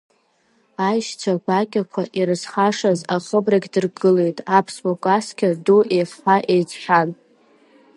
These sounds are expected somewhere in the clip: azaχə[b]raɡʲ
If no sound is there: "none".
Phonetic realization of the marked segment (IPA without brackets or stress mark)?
b